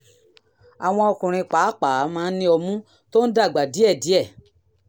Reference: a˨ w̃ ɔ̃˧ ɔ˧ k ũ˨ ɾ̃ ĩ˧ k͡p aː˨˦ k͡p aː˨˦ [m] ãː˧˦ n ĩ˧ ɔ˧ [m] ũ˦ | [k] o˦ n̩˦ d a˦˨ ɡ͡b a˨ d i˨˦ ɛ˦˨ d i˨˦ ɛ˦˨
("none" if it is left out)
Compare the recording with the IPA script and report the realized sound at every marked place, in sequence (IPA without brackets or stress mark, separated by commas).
m, m, t